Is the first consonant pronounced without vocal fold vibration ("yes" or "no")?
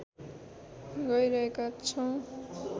no